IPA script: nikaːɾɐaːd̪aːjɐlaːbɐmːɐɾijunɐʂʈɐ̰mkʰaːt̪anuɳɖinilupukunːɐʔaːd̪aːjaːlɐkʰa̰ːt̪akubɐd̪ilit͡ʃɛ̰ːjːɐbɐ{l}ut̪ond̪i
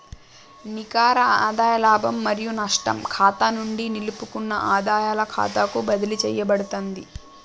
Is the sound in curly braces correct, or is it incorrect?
incorrect